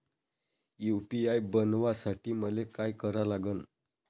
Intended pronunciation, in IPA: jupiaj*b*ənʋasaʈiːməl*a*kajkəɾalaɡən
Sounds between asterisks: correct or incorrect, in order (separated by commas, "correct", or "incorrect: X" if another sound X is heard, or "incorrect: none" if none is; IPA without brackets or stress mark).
correct, incorrect: e